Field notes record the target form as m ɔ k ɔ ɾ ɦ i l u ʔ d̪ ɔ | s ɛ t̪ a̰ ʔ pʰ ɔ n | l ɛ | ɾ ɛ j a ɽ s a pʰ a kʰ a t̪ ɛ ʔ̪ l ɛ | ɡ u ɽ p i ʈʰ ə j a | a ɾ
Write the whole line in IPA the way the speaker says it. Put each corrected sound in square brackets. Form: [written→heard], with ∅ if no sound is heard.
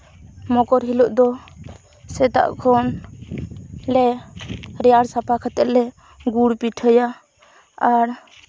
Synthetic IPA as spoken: m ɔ k ɔ ɾ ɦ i l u ʔ d̪ ɔ | s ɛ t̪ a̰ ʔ [pʰ→kʰ] ɔ n | l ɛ | ɾ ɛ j a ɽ s a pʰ a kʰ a t̪ ɛ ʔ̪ l ɛ | ɡ u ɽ p i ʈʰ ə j a | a ɾ